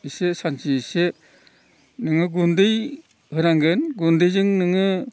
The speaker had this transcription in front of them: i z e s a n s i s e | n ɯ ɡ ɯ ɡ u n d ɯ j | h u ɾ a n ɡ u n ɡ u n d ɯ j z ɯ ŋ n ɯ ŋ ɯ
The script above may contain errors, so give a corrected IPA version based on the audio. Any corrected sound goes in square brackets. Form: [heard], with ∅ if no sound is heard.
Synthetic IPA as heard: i [s] e s a n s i s e | n ɯ [ŋ] ɯ ɡ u n d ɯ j | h [ɯ] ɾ a [ŋ] ɡ [ɯ] n ɡ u n d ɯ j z ɯ ŋ n ɯ ŋ ɯ